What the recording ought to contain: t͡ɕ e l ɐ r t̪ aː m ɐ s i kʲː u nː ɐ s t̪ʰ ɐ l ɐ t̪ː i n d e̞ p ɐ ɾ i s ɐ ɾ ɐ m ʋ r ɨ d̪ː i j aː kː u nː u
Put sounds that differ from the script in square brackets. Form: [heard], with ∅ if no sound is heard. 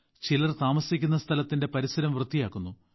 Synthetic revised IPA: t͡ɕ [i] l ɐ r t̪ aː m ɐ s i kʲː u nː ɐ s t̪ʰ ɐ l ɐ t̪ː i n d e̞ p ɐ ɾ i s ɐ ɾ ɐ m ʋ r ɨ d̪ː i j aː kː u nː u